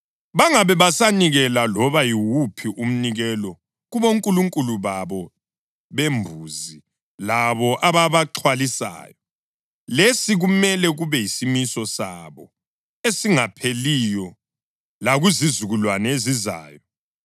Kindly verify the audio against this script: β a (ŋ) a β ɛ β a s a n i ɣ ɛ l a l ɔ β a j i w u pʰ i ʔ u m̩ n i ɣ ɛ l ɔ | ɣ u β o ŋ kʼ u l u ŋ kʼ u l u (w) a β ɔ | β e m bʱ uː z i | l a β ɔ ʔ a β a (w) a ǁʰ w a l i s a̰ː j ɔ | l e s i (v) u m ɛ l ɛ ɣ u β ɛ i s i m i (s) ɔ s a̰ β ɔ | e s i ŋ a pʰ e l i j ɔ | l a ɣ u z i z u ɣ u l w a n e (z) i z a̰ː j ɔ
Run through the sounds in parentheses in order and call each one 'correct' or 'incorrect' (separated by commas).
correct, incorrect, incorrect, incorrect, correct, correct